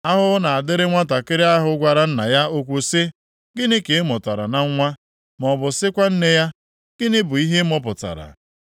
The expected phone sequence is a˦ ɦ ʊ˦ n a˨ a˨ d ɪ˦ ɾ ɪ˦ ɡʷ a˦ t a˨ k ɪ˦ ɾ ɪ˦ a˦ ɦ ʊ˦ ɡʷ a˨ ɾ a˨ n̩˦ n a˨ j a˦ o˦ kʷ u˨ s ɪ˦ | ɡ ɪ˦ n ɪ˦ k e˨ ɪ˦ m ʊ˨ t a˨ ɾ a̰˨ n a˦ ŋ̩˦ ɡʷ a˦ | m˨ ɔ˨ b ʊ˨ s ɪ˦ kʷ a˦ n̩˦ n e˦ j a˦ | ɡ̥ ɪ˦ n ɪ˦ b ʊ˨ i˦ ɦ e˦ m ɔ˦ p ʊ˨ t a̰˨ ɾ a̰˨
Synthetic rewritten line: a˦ ɦ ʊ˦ n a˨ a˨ d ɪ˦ ɾ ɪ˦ ŋʷ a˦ t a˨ k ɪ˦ ɾ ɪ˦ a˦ ɦ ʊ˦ ɡʷ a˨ ɾ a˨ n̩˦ n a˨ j a˦ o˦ kʷ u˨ s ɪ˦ | ɡ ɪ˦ n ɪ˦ k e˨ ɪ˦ m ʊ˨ t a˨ ɾ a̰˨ n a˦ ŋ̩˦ ŋʷ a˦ | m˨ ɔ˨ b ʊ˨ s ɪ˦ kʷ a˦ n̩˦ n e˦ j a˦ | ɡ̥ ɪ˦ n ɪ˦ b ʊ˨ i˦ ɦ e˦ m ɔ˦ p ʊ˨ t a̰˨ ɾ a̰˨